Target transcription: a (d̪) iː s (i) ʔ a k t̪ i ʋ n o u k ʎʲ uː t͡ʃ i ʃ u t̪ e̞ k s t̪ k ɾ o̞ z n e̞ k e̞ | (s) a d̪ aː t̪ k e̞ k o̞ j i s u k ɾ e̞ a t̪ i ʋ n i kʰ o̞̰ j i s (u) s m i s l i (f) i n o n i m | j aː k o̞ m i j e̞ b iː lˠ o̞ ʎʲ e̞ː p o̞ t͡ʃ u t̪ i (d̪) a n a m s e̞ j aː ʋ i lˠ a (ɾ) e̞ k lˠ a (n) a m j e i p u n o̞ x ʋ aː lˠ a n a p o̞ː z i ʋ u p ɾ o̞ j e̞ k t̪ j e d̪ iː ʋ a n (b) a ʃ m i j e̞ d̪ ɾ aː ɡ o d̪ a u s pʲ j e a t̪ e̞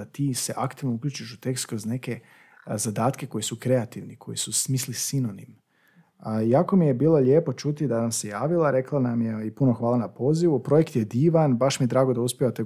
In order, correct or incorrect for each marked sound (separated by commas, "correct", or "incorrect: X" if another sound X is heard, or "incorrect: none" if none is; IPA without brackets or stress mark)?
incorrect: t̪, incorrect: e, incorrect: z, correct, incorrect: s, correct, correct, correct, correct